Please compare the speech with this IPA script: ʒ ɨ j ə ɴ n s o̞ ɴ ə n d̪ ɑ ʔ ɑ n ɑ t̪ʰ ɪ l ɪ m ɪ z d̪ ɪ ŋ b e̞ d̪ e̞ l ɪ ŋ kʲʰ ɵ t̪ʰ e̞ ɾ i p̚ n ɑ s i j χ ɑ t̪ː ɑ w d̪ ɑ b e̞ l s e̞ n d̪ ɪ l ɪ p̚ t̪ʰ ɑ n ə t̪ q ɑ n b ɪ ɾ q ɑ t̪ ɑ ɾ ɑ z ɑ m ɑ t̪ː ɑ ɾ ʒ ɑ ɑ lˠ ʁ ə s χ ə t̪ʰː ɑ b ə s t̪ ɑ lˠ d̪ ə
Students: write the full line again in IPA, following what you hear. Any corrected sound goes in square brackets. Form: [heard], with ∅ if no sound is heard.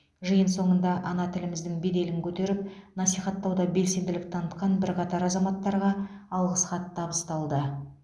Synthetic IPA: ʒ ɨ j ə [∅] n s o̞ ɴ ə n d̪ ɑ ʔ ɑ n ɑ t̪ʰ ɪ l ɪ m ɪ z d̪ ɪ ŋ b e̞ d̪ e̞ l ɪ ŋ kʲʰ ɵ [t̪] e̞ ɾ [ɪ] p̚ n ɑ s i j χ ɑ t̪ː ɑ w d̪ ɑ b e̞ l s e̞ n d̪ ɪ l ɪ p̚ t̪ʰ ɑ n ə t̪ q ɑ n b ɪ ɾ q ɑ t̪ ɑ ɾ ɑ z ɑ m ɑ t̪ː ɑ ɾ [ʁ] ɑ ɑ lˠ ʁ ə s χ [ɑ] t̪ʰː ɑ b ə s t̪ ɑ lˠ d̪ ə